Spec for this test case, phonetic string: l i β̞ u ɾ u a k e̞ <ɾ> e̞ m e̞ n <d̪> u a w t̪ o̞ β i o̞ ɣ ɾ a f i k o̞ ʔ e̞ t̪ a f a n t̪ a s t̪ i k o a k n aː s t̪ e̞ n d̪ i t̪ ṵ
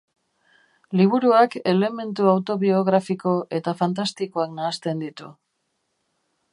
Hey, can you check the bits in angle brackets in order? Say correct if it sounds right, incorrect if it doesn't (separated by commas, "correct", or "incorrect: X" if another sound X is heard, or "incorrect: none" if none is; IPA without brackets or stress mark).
incorrect: l, incorrect: t̪